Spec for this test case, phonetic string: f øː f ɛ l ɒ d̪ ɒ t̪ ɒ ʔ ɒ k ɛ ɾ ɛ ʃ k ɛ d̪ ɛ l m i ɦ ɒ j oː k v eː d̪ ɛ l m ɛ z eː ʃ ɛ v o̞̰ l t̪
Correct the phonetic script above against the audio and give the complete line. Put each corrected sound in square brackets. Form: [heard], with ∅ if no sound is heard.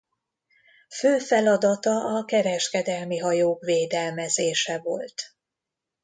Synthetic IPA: f øː f ɛ l ɒ d̪ ɒ t̪ ɒ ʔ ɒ k ɛ ɾ ɛ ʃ k ɛ d̪ ɛ l m i ɦ ɒ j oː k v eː d̪ ɛ l m ɛ z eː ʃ ɛ v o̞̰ l t̪